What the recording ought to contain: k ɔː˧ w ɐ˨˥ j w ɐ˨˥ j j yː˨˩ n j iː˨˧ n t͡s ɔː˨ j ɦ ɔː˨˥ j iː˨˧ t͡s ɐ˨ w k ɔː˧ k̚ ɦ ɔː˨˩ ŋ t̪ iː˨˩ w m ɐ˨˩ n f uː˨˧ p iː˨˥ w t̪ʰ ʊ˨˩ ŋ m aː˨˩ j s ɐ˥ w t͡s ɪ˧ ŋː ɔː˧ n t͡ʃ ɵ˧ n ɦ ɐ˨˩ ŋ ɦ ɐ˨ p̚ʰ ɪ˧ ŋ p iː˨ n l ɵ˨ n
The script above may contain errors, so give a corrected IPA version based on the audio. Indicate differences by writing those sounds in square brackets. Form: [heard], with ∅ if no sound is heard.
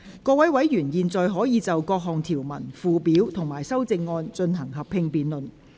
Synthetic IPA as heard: k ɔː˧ w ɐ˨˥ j w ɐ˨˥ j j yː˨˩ n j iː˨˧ n t͡s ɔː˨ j ɦ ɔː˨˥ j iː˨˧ t͡s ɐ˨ w k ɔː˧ k̚ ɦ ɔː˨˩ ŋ [t̪ʰ] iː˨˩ w m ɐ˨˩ n f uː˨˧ p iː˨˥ w t̪ʰ ʊ˨˩ ŋ m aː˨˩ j s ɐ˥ w t͡s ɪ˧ ŋː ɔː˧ n t͡ʃ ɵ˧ n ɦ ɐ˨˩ ŋ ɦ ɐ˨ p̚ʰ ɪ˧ ŋ p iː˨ n l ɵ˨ n

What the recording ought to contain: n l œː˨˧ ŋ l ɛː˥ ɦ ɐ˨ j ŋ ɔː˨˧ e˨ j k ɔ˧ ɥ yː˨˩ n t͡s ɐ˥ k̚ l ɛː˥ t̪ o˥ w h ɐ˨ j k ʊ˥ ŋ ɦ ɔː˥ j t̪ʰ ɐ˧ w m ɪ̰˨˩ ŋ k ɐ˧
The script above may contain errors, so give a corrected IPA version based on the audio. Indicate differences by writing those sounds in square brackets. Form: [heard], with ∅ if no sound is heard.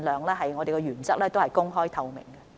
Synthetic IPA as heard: n l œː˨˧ ŋ l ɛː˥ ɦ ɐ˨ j ŋ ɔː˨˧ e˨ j k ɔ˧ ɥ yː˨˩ n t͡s ɐ˥ k̚ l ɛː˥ t̪ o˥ w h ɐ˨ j k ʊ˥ ŋ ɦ ɔː˥ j t̪ʰ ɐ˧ w m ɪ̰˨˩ ŋ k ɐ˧

